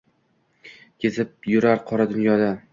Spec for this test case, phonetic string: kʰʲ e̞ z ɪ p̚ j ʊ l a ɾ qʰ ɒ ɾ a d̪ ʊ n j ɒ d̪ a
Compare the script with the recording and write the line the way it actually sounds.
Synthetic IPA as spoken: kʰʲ e̞ z ɪ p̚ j ʊ ɾ a ɾ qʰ ɒ ɾ a d̪ ʊ n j ɒ d̪ a